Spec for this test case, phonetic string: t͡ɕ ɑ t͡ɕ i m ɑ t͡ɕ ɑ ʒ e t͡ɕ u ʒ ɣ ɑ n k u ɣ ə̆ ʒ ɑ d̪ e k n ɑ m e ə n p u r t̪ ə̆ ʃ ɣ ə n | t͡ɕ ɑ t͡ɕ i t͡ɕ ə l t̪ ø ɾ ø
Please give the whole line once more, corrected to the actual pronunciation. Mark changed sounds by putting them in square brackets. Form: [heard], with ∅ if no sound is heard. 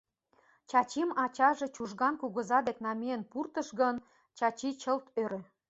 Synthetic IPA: t͡ɕ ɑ t͡ɕ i m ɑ t͡ɕ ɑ ʒ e t͡ɕ u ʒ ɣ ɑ n k u ɣ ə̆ [z] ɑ d̪ e k n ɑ m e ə n p u r t̪ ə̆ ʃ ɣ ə n | t͡ɕ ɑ t͡ɕ i t͡ɕ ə l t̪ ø ɾ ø